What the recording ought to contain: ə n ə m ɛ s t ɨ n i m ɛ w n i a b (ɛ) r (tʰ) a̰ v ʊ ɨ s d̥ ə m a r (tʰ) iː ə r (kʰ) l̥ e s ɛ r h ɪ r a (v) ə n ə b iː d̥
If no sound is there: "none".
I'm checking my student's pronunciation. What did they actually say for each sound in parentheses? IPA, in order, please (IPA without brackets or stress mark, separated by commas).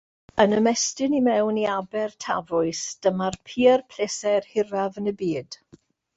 ɛ, tʰ, pʰ, pʰ, v